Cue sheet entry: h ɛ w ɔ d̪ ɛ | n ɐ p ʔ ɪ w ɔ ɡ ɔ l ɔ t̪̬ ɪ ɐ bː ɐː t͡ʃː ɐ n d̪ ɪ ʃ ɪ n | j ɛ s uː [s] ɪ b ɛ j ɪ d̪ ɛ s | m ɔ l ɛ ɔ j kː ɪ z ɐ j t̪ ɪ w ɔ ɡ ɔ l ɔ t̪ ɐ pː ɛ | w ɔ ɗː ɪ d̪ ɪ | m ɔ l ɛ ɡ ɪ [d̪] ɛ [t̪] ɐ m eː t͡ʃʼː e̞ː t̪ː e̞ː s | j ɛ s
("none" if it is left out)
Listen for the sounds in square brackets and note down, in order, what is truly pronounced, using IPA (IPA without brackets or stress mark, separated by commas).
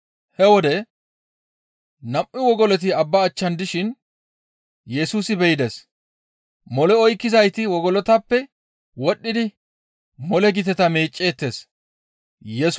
s, t̪, t̪